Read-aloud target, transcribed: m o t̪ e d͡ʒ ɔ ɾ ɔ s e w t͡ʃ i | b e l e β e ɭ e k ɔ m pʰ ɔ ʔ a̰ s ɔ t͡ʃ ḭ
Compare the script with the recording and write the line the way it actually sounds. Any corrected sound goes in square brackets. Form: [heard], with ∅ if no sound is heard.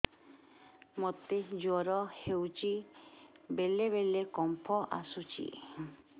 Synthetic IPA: m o t̪ e d͡ʒ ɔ ɾ ɔ [h] e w t͡ʃ i | b e l e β e [l] e k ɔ m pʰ ɔ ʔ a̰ s [u] t͡ʃ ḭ

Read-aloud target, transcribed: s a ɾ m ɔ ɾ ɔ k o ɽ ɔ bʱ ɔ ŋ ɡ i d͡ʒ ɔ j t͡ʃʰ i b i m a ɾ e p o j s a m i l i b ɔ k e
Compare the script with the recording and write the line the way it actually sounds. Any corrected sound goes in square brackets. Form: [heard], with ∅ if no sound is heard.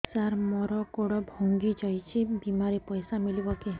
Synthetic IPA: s a ɾ m ɔ ɾ ɔ k o ɽ ɔ bʱ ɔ ŋ ɡ i d͡ʒ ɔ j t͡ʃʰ i b i m a ɾ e p [ɔ] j s a m i l i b ɔ k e

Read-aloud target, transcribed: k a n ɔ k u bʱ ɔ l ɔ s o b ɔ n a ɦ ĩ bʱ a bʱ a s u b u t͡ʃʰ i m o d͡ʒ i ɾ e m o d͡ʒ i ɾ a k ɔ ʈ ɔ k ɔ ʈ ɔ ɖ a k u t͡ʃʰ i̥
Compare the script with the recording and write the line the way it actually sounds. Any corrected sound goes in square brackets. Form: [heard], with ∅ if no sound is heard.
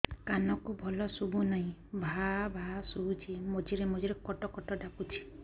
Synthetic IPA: k a n ɔ k u bʱ ɔ l ɔ s [u] b [u] n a ɦ ĩ bʱ a bʱ a s u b u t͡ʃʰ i m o d͡ʒ i ɾ e m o d͡ʒ i ɾ [e] k ɔ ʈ ɔ k ɔ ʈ ɔ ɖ a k u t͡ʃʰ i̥

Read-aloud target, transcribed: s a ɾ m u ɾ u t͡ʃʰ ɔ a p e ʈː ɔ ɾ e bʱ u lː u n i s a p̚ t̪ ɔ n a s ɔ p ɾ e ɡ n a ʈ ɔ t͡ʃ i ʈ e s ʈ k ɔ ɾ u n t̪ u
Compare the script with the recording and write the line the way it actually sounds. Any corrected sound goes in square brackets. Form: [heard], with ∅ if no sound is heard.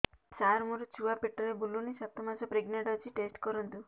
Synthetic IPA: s a ɾ m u ɾ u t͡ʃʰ [u] a p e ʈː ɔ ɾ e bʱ u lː u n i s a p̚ t̪ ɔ [m] a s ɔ p ɾ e ɡ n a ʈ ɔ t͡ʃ i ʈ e s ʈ k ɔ ɾ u n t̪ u

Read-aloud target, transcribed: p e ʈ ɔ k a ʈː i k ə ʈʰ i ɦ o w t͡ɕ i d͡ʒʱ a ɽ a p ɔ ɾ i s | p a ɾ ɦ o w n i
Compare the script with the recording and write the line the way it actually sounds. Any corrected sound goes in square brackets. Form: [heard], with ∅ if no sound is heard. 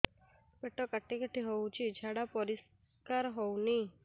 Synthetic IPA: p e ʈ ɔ k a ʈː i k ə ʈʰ i ɦ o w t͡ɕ i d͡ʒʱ a ɽ a p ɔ ɾ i s | [k] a ɾ ɦ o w n i

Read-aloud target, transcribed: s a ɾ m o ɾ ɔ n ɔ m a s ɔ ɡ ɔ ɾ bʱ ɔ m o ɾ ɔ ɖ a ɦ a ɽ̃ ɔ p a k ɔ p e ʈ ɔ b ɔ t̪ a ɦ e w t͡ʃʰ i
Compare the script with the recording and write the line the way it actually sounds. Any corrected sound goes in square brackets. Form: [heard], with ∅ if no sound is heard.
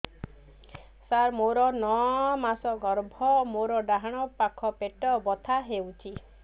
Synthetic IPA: s a ɾ m o ɾ ɔ n ɔ m a s ɔ ɡ ɔ ɾ bʱ ɔ m o ɾ ɔ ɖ a ɦ a ɽ̃ ɔ p a [kʰ] ɔ p e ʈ ɔ b ɔ [t̪ʰ] a ɦ e w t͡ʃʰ i

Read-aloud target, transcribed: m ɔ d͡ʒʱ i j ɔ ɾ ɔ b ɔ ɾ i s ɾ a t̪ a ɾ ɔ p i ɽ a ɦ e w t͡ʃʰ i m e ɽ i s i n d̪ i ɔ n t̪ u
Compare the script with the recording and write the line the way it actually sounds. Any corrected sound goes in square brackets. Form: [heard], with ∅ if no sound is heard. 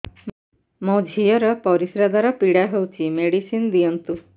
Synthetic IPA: m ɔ d͡ʒʱ i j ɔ ɾ ɔ [p] ɔ ɾ i s ɾ a [d̪] a ɾ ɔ p i ɽ a ɦ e w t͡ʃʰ i m e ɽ i s i n d̪ i ɔ n t̪ u

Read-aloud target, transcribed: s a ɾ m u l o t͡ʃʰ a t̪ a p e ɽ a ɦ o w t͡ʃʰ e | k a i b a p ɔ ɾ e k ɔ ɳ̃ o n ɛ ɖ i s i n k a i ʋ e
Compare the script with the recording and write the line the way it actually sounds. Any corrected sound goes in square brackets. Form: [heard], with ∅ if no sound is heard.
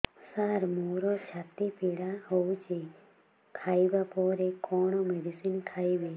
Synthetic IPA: s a ɾ m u [ɾ] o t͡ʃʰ a t̪ [i] p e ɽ a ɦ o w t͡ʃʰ e | [kʰ] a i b a p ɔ ɾ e k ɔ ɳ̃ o [m] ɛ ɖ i s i n [kʰ] a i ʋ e

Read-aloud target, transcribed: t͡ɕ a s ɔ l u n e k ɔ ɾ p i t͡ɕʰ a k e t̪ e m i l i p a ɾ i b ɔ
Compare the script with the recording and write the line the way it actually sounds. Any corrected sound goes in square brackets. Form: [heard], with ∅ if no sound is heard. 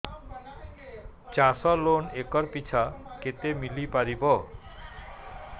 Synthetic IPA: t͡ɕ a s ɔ l [o] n e k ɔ ɾ p i t͡ɕʰ a k e t̪ e m i l i p a ɾ i b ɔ

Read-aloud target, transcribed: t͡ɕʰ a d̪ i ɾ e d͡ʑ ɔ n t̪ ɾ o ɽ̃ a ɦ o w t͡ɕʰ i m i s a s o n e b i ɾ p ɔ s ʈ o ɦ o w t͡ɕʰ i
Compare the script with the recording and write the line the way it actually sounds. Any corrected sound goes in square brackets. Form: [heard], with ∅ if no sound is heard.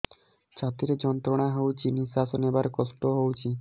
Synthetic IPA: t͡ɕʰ a [t̪] i ɾ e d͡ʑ ɔ n t̪ ɾ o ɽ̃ a ɦ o w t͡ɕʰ i [n] i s a s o n e b [a] ɾ [k] ɔ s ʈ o ɦ o w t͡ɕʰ i

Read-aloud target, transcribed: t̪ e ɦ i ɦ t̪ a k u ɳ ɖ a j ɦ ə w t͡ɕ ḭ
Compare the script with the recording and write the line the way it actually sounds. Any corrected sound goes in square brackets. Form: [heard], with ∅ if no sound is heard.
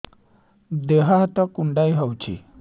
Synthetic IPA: [d̪] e ɦ [a] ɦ t̪ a k u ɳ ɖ a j ɦ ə w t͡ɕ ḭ

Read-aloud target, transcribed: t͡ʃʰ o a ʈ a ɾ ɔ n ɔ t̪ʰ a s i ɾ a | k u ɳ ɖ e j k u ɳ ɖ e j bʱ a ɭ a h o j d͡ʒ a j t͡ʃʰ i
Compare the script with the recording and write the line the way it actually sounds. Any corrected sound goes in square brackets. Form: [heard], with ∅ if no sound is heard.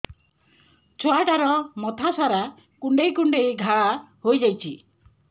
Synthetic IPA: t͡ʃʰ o a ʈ a ɾ ɔ [m] ɔ t̪ʰ a s [a] ɾ a | k u ɳ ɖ e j k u ɳ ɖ e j [ɡʱ] a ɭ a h o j d͡ʒ a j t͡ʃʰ i

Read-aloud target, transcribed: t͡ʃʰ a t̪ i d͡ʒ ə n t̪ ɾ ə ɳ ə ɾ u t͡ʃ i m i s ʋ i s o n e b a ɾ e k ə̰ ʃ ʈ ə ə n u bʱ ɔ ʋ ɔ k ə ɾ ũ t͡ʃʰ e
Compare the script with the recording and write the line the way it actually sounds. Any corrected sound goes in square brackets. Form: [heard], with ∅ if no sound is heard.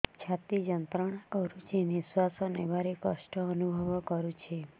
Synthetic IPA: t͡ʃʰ a t̪ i d͡ʒ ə n t̪ ɾ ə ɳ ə ɾ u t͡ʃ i [n] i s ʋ [a] s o n e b a ɾ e k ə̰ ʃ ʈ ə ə n u bʱ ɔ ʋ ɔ k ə ɾ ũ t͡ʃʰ e

